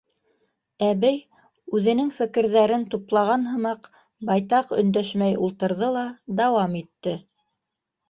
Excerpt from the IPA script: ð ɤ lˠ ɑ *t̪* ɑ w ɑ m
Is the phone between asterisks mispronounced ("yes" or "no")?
yes